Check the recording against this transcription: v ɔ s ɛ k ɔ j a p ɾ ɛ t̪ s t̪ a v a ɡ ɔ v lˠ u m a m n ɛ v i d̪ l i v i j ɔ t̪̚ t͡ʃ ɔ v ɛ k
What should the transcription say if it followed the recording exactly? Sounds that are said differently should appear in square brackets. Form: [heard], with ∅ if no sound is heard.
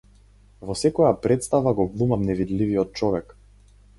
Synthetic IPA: v ɔ s ɛ k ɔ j a p ɾ ɛ t̪ s t̪ a v a ɡ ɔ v lˠ u m a m n ɛ v i d̪ l i v i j ɔ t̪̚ t͡ʃ ɔ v ɛ k